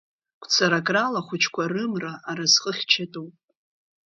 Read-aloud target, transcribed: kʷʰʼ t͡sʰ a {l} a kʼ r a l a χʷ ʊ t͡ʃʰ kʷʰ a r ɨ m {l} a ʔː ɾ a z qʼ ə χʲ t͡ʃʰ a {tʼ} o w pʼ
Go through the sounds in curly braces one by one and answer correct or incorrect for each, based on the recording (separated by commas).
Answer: incorrect, incorrect, correct